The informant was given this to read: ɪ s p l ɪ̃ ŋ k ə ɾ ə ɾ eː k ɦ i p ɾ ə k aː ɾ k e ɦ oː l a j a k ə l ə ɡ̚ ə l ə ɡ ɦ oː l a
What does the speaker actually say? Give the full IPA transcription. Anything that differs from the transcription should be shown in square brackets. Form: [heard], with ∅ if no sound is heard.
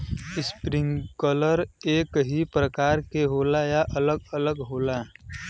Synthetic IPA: ɪ s p [ɾ] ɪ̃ ŋ k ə [l] ə ɾ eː k ɦ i p ɾ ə k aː ɾ k e ɦ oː l a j a [ʔ] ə l ə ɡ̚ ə l ə ɡ ɦ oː l a